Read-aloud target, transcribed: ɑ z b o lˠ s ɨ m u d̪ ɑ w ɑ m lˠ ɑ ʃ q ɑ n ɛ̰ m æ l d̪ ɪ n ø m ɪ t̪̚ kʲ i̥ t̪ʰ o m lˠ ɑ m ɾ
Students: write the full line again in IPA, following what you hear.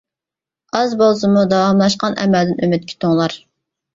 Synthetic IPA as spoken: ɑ z b o lˠ s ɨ m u d̪ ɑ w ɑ m lˠ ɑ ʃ q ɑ n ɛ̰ m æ l d̪ ɪ n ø m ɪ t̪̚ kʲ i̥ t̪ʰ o ŋ lˠ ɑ ɾ